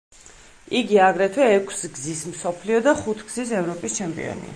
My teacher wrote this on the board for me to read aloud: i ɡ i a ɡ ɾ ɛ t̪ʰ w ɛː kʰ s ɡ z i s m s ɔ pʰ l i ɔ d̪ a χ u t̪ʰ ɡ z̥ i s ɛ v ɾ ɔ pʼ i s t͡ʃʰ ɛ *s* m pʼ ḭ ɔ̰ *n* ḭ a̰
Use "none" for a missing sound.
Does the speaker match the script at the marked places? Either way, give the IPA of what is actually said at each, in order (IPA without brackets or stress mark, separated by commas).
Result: none, n